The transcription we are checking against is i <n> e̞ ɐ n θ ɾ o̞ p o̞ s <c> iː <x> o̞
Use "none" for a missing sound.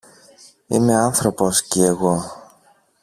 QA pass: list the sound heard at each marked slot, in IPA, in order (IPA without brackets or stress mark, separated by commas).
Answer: m, c, ɣ